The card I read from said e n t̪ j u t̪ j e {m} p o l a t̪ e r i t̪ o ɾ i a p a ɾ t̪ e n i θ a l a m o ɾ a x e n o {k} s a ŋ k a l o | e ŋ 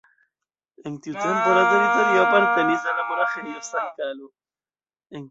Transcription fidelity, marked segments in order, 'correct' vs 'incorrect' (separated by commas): correct, incorrect